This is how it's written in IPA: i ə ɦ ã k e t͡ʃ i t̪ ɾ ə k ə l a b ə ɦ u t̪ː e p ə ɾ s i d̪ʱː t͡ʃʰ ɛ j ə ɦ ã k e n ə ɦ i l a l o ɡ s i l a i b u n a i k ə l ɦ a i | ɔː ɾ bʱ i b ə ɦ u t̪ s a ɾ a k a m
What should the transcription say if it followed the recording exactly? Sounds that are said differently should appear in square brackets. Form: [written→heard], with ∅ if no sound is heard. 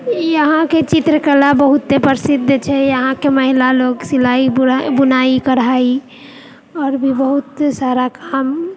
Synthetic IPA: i ə ɦ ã k e t͡ʃ i t̪ ɾ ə k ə l a b ə ɦ u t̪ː e p ə ɾ s i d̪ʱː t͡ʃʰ ɛ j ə ɦ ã k e [n→m] ə ɦ i l a l o ɡ s i l a i b u n a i k ə [l→ɾ] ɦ a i | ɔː ɾ bʱ i b ə ɦ u t̪ s a ɾ a k a m